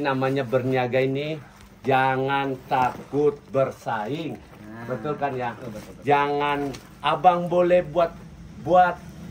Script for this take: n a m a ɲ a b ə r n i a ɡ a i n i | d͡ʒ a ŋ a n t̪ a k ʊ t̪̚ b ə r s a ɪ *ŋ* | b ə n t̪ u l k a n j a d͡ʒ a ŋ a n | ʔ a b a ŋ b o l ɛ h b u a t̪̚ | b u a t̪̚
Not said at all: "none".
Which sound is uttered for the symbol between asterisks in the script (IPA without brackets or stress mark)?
ŋ